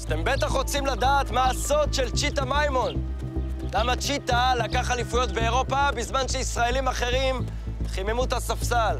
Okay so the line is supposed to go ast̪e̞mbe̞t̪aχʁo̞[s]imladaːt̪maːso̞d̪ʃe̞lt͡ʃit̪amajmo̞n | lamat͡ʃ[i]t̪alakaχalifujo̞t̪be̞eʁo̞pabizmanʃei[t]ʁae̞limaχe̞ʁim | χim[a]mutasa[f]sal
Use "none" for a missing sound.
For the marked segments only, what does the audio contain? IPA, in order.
t͡s, i, s, e, f

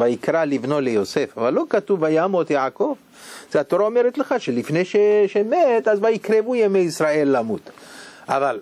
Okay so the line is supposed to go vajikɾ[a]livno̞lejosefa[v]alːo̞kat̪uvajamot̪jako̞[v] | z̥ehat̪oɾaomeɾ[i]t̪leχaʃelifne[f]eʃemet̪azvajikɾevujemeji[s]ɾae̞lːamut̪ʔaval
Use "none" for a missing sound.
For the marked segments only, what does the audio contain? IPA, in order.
a, v, v, e, ʃ, s

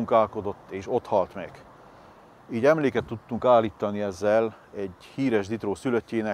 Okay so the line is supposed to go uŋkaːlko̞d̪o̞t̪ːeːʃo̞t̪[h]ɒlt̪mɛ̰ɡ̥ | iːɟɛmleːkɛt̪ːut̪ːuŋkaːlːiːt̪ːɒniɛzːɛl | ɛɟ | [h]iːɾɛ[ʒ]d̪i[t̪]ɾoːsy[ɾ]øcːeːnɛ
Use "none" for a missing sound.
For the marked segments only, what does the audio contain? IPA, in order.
h, h, ʒ, t̪, l

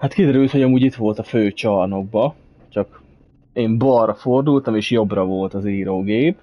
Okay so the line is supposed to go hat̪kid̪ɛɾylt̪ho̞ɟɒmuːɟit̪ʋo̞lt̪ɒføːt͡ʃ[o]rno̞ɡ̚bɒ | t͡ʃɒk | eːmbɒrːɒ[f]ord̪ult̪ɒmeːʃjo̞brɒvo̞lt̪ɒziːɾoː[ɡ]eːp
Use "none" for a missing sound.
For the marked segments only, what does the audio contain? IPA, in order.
ɒ, f, ɡ

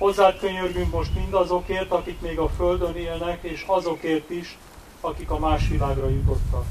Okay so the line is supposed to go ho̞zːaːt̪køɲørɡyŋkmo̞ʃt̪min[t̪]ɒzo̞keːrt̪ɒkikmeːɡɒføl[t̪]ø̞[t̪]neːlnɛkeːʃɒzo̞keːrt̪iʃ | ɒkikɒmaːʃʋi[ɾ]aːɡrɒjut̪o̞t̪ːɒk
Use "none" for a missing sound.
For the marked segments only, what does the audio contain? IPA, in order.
d̪, d̪, none, l

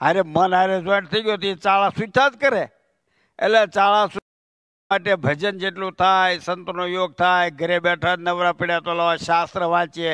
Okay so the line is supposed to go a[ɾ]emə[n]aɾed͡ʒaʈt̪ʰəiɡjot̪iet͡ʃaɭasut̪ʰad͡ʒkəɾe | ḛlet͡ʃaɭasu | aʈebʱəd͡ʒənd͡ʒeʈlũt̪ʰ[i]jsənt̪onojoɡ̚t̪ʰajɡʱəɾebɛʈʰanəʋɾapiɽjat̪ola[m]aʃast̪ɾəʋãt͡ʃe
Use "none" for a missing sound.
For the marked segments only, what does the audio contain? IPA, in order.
ɾ, n, a, none

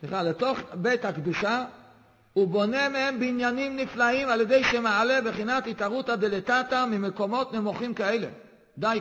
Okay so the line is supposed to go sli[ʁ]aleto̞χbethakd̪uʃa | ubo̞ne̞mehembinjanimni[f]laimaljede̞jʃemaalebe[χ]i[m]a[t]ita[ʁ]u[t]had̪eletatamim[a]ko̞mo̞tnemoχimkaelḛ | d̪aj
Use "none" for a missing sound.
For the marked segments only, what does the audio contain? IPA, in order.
χ, f, χ, n, t, ʁ, t, e

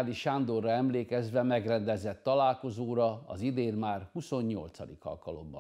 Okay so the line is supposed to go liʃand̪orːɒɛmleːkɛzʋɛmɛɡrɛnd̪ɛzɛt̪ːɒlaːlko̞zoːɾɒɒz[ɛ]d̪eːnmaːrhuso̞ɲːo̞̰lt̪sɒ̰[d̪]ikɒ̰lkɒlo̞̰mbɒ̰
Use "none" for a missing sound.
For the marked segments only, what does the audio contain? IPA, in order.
i, d̪

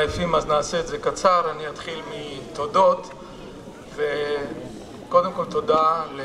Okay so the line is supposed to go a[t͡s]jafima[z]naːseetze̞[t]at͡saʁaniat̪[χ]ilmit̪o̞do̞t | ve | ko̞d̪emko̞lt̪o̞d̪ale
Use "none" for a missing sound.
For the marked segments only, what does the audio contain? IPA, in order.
none, z, k, χ

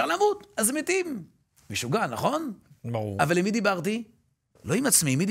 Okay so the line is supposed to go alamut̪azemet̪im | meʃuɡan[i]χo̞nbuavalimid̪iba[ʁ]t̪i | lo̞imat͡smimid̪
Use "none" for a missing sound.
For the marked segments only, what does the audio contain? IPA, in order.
a, ʁ

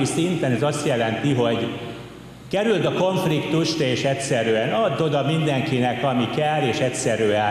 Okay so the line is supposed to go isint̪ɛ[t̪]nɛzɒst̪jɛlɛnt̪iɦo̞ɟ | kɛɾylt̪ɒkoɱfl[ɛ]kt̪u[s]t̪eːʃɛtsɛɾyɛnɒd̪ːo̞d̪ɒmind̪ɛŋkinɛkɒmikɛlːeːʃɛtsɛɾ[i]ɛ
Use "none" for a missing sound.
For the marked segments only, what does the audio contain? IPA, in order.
none, i, ʃ, y

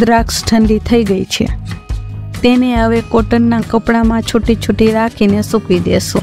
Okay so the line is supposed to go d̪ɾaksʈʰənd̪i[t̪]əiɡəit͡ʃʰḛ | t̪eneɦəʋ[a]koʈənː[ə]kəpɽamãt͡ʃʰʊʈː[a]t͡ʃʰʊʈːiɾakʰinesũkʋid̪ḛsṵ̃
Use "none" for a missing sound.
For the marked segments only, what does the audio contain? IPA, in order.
t̪ʰ, e, a, i

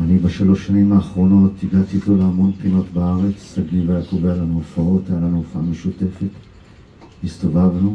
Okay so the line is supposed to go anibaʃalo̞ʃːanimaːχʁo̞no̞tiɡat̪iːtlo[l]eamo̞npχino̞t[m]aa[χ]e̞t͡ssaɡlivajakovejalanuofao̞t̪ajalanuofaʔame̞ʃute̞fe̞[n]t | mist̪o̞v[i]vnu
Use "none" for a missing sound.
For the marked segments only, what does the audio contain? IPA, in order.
l, b, ʁ, none, a

